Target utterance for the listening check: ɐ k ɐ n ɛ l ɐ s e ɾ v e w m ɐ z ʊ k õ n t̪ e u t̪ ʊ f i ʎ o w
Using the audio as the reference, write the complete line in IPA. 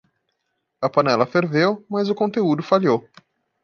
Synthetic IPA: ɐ p ɐ n ɛ l ɐ f e ɾ v e w m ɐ z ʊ k õ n t̪ e u d̪ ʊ f a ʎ o w